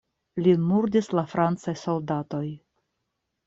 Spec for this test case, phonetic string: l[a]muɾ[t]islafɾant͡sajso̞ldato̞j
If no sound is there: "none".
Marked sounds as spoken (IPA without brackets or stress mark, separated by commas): i, d